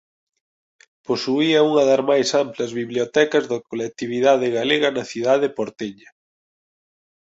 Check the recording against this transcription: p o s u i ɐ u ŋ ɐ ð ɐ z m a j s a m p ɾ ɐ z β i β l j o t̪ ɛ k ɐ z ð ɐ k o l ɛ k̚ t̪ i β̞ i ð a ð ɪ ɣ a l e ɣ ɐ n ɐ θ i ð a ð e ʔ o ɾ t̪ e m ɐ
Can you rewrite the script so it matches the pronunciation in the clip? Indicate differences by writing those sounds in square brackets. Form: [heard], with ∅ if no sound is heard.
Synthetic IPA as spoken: p o s u i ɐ u ŋ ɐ ð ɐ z m a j s a m p [l] ɐ z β i β l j o t̪ ɛ k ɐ z ð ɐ k o l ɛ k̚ t̪ i β̞ i ð a ð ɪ ɣ a l e ɣ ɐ n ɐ θ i ð a ð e [p] o ɾ t̪ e [ɲ] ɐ

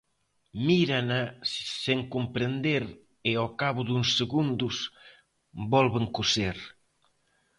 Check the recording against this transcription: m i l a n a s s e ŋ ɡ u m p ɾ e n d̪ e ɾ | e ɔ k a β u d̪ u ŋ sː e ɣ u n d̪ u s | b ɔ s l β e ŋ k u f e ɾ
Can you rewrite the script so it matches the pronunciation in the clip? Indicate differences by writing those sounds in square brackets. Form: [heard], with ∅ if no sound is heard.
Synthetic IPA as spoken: m i [ɾ] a n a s s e ŋ [k] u m p ɾ e n d̪ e ɾ | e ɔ k a β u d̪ u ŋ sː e ɣ u n d̪ u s | b ɔ [∅] l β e ŋ k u [s] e ɾ

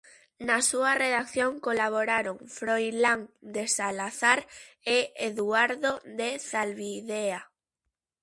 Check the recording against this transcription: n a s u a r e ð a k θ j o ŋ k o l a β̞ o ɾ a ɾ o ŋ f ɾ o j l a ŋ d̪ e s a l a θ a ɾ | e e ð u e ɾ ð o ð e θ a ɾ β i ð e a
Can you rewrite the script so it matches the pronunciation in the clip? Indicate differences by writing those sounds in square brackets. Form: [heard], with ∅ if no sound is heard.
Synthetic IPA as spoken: n a s u a r e ð a k θ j o ŋ k o l a β̞ o ɾ a ɾ o ŋ f ɾ o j l a ŋ d̪ e s a l a θ a ɾ | e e ð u [a] ɾ ð o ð e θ a [l] β i ð e a

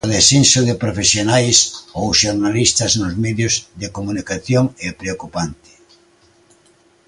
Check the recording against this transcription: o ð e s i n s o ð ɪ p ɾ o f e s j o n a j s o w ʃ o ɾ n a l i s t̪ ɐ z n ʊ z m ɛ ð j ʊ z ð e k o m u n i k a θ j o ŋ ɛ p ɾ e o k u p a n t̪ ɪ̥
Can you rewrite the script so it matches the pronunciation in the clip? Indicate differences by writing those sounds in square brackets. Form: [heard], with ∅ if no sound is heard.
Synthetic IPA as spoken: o ð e s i n s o ð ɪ p ɾ o f e s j o n a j s o w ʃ o ɾ n a l i s t̪ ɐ z n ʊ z m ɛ ð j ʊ z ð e k o m u n i k a θ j o ŋ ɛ p ɾ e o k u p a n t̪ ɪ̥

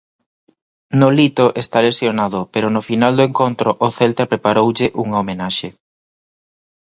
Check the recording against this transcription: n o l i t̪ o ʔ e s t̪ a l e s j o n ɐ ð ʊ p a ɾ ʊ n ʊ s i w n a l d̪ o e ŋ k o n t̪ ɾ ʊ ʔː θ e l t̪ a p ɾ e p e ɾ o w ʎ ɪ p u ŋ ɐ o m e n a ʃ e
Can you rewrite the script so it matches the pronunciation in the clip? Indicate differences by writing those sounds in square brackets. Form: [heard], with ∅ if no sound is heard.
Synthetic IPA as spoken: n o l i t̪ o ʔ e s t̪ a l e s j o n [a] ð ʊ p [e] ɾ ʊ n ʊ [f] i [∅] n a l d̪ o e ŋ k o n t̪ ɾ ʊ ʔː θ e l t̪ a p ɾ e p [a] ɾ o w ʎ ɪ [ʔ] u ŋ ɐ o m e n a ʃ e

